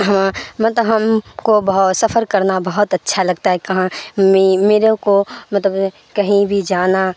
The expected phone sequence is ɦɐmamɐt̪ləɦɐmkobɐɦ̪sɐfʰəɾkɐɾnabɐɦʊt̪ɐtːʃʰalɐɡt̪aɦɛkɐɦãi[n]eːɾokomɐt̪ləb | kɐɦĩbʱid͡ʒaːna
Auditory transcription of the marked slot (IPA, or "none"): m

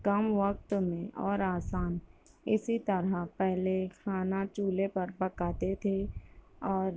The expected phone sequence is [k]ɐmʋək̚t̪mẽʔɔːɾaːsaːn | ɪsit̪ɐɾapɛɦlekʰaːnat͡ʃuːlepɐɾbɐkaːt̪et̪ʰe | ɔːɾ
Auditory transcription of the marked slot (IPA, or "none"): k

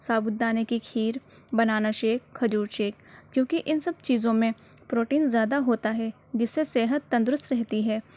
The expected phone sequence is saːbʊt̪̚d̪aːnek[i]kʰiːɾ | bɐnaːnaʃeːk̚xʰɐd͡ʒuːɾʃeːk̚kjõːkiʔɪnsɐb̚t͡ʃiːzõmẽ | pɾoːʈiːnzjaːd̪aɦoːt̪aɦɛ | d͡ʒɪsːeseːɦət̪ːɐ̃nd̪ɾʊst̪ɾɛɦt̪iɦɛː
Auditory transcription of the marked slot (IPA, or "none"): i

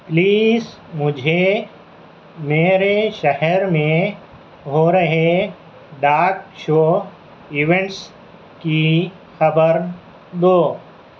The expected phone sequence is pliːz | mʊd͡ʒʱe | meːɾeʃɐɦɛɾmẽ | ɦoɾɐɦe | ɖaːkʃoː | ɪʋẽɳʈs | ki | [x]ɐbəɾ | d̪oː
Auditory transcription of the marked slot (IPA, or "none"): x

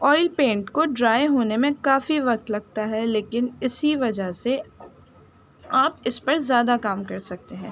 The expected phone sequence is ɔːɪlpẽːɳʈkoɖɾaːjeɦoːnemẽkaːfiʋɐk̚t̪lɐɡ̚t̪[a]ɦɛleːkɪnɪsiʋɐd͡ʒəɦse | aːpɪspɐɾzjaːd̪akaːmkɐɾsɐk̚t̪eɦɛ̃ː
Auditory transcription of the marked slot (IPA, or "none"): a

